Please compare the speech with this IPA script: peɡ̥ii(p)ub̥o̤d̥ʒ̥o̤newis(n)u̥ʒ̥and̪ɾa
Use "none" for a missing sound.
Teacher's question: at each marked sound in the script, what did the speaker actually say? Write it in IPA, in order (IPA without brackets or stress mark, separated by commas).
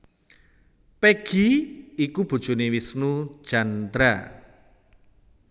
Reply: k, n